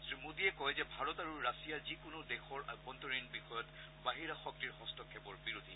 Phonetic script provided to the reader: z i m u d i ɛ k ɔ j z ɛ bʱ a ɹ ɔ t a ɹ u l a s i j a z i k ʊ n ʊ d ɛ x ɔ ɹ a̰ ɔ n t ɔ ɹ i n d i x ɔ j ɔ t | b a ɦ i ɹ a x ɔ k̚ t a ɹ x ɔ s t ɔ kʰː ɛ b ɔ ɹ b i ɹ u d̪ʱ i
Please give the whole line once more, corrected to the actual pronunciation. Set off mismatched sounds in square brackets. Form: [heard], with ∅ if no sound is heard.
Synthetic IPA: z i m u d i ɛ k ɔ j z ɛ bʱ a ɹ ɔ t a ɹ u [ɹ] a s i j a z i k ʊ n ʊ d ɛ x ɔ ɹ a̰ ɔ n t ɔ ɹ i n [b] i x ɔ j ɔ t | b a ɦ i ɹ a x ɔ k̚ t [i] ɹ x ɔ s t ɔ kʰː ɛ b ɔ ɹ b i ɹ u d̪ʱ i